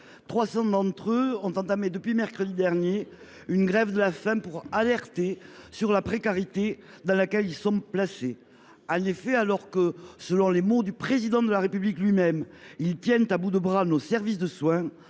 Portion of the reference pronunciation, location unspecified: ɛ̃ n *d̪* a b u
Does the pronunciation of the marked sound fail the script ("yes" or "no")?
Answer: yes